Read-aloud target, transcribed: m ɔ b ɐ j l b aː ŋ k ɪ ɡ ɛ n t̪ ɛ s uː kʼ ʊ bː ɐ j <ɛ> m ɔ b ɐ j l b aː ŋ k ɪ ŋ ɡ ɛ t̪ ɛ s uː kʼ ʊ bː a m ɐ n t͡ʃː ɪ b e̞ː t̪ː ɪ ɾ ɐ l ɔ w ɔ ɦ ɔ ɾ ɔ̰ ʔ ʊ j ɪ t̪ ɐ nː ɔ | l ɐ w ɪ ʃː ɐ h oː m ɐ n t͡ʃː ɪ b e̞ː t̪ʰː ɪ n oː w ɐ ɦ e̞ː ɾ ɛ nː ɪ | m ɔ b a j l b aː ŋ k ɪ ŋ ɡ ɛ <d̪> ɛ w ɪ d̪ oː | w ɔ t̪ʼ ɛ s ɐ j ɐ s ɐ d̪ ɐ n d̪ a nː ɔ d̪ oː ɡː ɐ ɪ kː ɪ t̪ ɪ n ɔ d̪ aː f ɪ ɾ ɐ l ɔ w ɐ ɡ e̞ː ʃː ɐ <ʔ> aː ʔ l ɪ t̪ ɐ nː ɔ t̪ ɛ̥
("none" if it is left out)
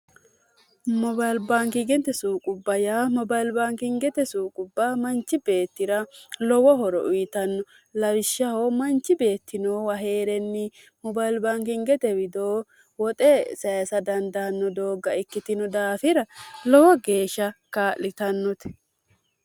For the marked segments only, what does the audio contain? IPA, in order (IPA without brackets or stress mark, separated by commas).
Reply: a, t̪, k